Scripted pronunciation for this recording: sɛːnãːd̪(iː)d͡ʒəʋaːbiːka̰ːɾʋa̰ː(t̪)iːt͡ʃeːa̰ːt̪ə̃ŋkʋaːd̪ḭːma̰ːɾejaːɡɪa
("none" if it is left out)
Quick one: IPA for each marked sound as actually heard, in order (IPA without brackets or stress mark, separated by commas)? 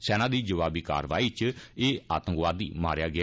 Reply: iː, none